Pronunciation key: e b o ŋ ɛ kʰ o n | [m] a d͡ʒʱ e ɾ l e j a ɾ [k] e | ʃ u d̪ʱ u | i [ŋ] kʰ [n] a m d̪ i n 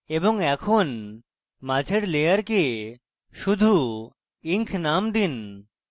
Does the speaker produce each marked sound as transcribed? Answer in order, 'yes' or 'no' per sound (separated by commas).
yes, yes, yes, yes